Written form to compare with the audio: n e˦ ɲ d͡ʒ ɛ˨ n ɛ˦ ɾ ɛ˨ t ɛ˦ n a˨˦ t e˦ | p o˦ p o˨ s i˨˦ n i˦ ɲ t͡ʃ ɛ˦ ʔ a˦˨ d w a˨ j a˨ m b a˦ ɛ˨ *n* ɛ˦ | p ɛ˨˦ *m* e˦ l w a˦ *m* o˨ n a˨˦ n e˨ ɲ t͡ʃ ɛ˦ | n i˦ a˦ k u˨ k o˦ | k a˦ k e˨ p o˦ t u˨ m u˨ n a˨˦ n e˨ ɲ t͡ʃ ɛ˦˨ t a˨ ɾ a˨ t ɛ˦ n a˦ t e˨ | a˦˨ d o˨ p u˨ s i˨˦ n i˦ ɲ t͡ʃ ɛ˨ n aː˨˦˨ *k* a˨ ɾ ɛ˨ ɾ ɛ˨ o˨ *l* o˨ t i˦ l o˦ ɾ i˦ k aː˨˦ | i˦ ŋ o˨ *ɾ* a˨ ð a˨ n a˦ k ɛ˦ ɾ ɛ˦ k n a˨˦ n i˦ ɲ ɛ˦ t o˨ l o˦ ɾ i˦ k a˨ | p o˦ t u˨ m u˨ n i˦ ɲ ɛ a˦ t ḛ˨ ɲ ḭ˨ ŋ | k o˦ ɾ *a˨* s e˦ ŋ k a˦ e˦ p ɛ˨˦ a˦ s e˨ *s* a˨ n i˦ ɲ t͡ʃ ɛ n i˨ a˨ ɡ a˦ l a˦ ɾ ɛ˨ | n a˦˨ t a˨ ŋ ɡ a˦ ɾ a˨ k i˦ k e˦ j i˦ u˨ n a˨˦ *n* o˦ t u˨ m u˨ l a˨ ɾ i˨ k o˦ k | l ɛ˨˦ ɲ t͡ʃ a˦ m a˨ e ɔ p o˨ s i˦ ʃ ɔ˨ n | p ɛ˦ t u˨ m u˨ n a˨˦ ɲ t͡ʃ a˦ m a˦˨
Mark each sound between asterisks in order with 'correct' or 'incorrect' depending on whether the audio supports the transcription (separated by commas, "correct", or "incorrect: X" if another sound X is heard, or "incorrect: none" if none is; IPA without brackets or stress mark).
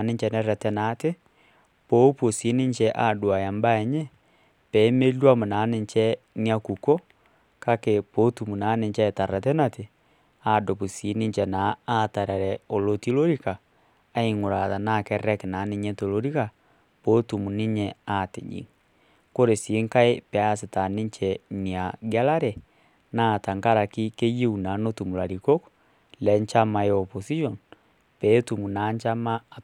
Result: incorrect: ɲ, correct, correct, incorrect: t, correct, correct, incorrect: e˨, incorrect: t, correct